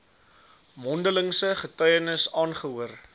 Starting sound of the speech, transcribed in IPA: m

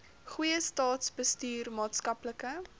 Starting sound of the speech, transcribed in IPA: χ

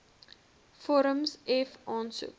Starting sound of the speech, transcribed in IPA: f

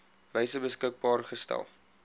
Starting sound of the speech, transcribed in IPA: v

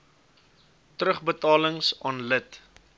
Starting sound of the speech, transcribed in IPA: t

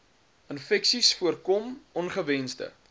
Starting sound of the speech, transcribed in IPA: ə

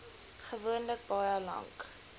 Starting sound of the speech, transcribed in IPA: χ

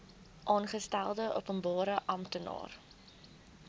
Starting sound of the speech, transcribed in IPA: ʔ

